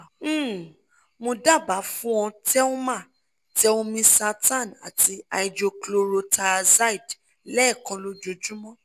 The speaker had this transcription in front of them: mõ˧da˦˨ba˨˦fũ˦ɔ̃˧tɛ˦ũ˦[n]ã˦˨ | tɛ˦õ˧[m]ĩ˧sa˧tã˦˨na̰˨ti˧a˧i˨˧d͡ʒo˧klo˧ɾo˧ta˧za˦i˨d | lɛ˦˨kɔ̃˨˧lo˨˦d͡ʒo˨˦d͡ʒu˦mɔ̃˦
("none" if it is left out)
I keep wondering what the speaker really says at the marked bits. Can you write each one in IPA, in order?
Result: m, m

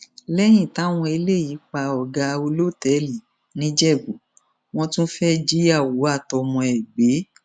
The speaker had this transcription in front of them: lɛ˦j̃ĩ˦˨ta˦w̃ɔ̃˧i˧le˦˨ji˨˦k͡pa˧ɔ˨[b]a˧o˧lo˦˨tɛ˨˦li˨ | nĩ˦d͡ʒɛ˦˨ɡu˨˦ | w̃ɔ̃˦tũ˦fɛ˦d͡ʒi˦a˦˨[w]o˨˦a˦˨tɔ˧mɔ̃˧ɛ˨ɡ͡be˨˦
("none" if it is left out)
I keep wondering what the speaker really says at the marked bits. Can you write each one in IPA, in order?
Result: ɡ, w

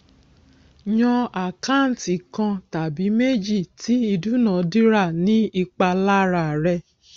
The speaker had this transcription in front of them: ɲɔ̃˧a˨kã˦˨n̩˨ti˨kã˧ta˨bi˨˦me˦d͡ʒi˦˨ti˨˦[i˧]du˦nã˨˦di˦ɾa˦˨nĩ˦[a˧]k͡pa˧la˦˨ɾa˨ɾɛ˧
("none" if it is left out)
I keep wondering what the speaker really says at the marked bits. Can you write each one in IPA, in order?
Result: i˧, i˧

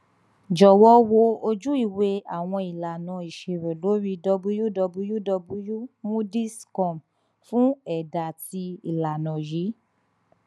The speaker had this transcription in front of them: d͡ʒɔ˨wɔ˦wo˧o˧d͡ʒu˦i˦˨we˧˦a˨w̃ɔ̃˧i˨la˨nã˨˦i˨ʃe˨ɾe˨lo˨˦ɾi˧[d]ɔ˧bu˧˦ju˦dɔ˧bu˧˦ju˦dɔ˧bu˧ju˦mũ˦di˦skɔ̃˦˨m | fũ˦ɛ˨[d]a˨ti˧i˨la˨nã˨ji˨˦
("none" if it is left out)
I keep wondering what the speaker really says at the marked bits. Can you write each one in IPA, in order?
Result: d, d

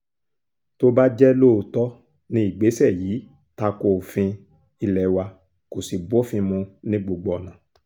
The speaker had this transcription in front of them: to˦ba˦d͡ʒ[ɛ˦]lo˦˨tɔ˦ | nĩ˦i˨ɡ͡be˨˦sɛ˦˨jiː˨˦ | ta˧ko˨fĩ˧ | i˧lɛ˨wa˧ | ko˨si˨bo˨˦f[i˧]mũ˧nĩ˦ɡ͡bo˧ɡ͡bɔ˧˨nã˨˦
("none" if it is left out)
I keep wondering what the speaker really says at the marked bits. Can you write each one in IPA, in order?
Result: ɛ˦, ĩ˧

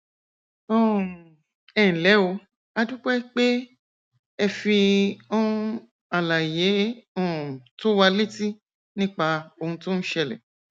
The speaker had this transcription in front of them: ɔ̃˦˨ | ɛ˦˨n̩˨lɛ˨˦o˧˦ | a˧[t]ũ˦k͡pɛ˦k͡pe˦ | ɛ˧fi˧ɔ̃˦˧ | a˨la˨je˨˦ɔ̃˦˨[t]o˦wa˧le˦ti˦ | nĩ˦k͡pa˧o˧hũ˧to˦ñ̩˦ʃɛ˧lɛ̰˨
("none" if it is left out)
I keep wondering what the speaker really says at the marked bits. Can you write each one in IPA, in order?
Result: d, t

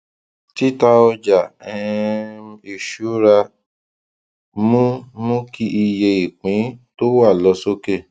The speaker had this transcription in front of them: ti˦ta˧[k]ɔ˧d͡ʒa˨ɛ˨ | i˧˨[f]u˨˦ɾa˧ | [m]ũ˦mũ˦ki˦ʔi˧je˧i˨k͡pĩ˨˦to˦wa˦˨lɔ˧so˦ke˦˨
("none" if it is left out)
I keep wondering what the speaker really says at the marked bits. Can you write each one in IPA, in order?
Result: none, ʃ, m

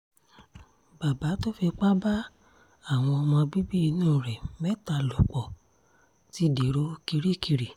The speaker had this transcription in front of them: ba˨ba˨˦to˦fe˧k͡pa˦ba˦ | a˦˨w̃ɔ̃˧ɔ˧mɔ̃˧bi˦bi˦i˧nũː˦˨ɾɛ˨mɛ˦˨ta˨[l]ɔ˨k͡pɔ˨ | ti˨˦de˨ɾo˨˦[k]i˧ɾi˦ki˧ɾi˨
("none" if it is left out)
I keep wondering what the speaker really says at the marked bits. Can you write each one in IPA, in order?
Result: l, k

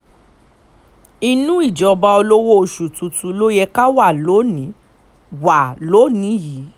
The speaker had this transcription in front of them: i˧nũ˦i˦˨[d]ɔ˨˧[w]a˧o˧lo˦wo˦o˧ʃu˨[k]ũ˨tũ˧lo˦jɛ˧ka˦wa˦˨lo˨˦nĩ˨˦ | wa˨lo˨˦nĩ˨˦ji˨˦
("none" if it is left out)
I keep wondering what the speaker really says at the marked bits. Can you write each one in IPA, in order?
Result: d͡ʒ, b, t

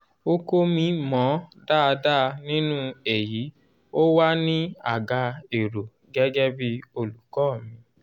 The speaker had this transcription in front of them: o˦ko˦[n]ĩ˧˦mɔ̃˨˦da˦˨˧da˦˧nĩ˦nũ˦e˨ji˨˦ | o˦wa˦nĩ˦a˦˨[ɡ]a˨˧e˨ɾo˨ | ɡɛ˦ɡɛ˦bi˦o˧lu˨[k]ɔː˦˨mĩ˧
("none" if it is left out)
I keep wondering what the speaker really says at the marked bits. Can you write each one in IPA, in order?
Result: m, ɡ, k

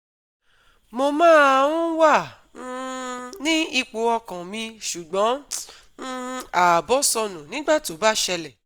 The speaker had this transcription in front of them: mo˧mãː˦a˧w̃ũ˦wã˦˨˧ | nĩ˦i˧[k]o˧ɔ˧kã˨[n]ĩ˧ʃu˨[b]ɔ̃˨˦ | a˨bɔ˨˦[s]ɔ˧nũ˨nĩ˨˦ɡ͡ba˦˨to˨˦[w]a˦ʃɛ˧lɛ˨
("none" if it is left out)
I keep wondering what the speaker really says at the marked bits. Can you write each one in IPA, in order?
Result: k͡p, m, ɡ͡b, s, b

